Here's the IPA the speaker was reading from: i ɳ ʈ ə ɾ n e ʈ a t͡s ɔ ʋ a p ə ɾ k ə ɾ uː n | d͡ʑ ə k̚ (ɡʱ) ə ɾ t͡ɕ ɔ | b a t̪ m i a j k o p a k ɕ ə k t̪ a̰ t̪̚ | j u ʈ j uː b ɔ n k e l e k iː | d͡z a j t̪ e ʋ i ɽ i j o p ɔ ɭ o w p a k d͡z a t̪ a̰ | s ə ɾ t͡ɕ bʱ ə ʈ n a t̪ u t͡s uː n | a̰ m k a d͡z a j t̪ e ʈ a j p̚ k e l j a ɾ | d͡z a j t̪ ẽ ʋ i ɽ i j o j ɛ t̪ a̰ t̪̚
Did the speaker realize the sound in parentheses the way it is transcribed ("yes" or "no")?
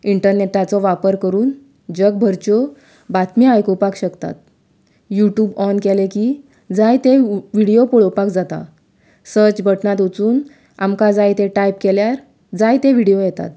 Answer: no